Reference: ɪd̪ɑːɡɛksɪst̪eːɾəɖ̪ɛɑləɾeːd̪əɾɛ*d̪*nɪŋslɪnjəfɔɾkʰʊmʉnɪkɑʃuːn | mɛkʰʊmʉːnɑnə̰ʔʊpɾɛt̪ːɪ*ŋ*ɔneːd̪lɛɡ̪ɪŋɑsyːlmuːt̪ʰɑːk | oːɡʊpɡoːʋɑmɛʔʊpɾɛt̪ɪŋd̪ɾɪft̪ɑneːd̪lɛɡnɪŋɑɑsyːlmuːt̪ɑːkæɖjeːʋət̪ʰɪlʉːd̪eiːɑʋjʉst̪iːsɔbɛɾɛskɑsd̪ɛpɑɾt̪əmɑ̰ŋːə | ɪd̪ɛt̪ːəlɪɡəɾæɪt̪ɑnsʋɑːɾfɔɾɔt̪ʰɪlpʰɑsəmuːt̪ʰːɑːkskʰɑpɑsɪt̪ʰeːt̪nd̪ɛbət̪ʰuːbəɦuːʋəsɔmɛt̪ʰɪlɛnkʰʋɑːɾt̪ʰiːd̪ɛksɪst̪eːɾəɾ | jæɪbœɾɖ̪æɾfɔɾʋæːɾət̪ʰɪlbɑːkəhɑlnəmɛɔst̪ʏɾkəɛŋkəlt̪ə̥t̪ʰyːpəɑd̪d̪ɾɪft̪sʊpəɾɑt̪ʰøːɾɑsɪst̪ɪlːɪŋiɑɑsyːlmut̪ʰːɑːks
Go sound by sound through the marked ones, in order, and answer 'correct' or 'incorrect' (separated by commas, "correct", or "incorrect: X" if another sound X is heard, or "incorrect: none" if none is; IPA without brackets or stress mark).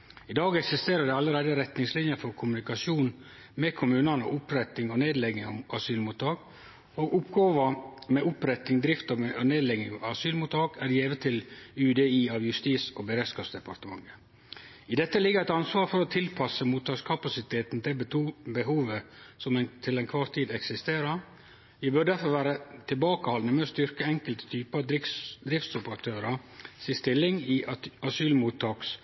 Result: incorrect: t̪, correct